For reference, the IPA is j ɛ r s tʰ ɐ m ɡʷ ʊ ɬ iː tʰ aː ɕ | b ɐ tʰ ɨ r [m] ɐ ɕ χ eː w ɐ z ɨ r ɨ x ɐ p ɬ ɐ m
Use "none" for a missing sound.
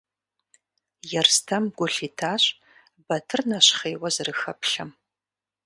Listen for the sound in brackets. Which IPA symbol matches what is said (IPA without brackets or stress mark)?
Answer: n